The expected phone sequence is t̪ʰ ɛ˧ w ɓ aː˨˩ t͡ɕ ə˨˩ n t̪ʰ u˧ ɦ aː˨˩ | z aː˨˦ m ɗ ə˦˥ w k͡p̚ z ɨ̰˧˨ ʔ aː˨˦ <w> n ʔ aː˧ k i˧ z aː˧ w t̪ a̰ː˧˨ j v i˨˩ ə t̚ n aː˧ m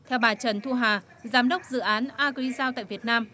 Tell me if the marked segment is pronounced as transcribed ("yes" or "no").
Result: no